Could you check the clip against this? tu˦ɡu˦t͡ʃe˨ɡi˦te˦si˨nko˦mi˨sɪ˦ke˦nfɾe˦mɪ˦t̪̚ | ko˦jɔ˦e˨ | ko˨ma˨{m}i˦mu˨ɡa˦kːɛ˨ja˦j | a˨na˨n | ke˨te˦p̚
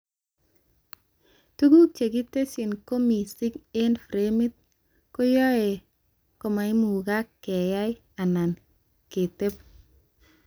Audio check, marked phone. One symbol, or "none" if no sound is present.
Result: none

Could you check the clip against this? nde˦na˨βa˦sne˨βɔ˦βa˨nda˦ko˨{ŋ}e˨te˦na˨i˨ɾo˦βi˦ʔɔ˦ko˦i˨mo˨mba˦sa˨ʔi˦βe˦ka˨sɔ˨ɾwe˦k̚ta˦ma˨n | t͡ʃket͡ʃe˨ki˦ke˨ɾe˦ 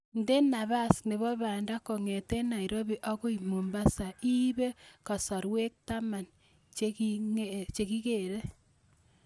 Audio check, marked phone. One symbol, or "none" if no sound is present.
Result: ŋ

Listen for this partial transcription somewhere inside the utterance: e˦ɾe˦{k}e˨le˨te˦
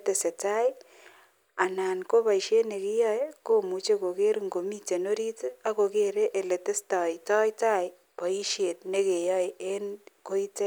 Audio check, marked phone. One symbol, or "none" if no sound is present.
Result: ʔ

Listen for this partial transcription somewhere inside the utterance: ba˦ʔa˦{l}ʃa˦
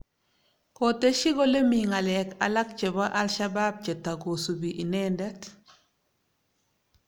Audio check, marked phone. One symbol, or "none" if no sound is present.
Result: l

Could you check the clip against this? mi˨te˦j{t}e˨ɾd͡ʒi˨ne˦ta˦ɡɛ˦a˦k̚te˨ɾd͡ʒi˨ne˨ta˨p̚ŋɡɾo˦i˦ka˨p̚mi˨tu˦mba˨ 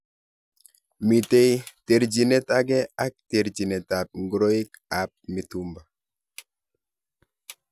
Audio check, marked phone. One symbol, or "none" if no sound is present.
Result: t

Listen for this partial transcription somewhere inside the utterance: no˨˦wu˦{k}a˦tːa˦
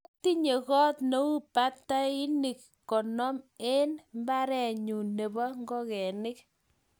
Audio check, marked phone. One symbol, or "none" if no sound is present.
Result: p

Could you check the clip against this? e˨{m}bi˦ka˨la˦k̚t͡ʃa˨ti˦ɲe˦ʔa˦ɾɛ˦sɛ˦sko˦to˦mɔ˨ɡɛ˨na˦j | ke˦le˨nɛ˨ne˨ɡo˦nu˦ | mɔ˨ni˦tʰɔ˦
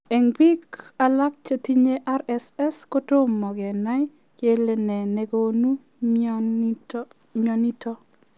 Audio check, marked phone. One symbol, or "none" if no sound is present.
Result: ŋ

